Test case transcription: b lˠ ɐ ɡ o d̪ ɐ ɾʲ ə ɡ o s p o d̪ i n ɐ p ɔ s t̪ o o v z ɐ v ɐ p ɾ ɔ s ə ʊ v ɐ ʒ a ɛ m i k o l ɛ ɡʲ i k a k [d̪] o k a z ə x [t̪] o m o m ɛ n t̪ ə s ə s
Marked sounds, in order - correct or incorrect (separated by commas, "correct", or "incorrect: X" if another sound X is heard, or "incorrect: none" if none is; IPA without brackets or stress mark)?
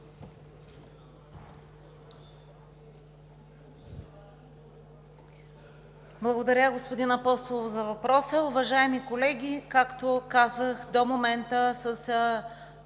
incorrect: t̪, incorrect: d̪